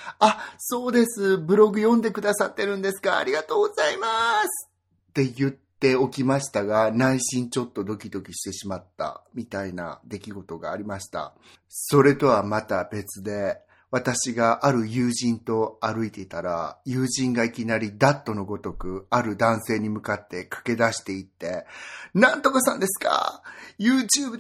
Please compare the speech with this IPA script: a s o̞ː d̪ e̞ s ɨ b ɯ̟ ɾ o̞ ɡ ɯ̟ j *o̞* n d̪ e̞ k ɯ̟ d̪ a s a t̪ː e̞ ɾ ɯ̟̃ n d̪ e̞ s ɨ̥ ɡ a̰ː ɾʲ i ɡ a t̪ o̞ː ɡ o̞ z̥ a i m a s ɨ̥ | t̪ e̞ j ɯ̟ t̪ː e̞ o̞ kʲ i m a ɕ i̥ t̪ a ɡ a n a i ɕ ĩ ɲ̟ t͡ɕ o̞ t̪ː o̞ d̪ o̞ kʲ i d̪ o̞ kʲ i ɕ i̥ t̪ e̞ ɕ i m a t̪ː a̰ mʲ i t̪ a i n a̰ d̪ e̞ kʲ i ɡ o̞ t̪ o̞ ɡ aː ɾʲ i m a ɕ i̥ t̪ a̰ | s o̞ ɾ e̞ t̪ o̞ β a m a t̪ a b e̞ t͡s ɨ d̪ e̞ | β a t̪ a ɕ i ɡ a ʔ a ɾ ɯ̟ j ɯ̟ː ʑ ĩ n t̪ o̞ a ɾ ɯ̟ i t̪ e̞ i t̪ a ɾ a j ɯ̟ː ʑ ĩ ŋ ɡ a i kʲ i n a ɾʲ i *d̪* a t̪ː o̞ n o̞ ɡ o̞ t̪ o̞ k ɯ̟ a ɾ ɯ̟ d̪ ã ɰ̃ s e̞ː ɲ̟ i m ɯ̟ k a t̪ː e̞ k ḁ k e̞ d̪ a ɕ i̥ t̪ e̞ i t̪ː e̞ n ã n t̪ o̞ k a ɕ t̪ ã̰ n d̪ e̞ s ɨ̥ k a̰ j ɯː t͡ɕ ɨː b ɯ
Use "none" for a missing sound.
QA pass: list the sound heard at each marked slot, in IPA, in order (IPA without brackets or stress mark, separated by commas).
õ̞, d̪